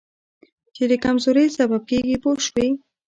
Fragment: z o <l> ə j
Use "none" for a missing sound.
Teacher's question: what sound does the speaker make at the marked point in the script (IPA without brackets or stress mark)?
ɾ